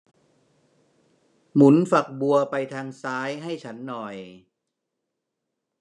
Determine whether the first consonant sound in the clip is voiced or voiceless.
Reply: voiced